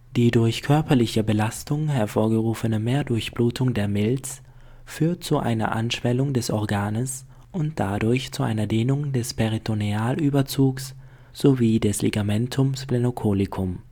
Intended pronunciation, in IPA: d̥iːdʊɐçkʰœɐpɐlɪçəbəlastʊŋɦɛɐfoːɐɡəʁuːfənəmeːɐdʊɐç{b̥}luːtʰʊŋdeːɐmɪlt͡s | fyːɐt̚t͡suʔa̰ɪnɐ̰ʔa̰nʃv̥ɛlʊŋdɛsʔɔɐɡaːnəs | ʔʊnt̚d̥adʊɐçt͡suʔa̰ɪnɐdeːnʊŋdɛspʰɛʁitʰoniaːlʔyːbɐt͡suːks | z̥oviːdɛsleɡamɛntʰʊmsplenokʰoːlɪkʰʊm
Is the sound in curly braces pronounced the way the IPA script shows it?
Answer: yes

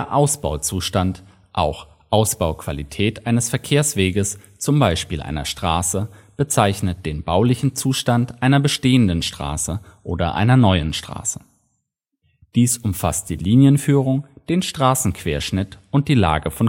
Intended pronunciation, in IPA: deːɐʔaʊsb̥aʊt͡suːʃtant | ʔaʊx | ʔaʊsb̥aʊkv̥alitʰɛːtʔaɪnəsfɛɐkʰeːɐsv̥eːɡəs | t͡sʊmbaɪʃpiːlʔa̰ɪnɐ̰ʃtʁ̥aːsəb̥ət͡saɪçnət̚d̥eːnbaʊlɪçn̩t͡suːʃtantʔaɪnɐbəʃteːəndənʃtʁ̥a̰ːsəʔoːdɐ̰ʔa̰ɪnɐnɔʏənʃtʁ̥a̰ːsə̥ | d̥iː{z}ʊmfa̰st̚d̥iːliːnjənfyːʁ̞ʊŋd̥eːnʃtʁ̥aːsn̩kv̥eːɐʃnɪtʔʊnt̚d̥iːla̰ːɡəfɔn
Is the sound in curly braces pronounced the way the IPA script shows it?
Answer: no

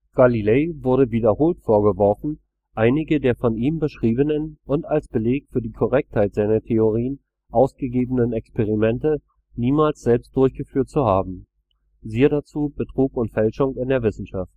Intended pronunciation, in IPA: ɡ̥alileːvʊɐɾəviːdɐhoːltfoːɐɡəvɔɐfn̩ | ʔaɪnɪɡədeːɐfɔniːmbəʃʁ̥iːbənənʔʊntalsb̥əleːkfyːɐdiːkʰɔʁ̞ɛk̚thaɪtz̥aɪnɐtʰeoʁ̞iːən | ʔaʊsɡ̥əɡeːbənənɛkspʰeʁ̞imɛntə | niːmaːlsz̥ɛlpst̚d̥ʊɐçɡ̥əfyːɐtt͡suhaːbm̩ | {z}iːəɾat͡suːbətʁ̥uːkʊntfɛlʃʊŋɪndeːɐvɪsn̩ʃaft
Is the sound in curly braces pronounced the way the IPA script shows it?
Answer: yes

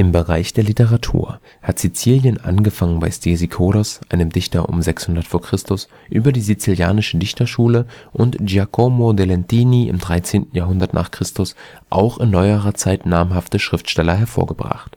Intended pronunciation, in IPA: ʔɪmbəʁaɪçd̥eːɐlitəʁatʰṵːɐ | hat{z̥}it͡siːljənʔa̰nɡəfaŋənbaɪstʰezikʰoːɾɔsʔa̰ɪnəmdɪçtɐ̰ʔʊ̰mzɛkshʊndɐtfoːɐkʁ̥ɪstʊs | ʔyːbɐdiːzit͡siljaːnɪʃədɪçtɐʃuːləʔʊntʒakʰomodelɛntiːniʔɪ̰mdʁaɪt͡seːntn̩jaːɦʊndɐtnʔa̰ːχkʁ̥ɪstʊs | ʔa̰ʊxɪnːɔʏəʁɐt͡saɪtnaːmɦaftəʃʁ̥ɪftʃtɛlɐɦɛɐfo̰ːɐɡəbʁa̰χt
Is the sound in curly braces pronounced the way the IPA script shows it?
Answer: yes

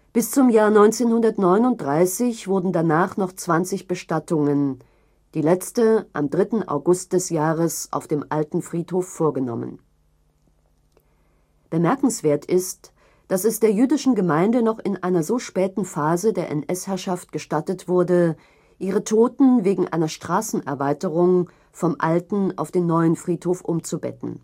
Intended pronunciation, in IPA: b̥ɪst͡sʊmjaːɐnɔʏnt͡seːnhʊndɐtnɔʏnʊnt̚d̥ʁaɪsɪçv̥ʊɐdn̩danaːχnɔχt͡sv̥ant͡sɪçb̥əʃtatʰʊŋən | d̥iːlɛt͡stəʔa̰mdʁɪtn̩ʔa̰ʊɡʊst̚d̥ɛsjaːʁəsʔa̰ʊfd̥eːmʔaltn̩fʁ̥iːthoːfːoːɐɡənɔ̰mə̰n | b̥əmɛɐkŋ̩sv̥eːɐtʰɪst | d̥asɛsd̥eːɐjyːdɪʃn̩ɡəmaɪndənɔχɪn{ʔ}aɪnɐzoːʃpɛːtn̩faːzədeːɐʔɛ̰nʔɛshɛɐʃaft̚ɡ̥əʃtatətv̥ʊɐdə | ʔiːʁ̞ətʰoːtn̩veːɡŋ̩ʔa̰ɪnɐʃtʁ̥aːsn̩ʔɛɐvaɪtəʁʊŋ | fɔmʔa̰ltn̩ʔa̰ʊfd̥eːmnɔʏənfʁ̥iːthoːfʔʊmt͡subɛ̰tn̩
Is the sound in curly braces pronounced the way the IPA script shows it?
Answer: yes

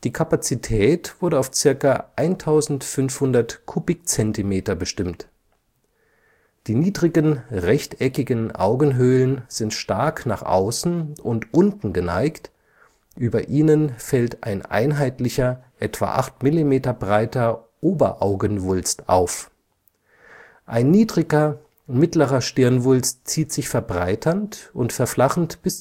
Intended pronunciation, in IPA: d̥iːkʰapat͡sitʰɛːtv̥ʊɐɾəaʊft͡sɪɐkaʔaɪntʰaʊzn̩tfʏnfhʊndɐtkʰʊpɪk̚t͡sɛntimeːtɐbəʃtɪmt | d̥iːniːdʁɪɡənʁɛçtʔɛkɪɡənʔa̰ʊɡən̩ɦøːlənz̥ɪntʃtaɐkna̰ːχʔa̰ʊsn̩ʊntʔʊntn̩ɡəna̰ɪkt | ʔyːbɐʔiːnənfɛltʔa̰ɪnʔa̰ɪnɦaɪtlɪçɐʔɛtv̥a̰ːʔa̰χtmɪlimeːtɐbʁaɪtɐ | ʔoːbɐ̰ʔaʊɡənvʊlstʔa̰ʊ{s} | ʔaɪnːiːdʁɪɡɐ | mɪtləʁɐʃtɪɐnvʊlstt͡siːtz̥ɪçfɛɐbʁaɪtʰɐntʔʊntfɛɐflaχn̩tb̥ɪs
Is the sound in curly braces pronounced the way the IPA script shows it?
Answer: no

